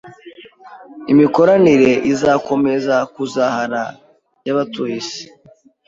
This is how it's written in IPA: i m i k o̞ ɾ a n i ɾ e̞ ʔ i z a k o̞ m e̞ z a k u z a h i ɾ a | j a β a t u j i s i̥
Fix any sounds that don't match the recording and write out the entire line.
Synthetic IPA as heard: i m i k o̞ ɾ a n i ɾ e̞ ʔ i z a k o̞ m e̞ z a k u z a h a ɾ a | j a β a t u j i s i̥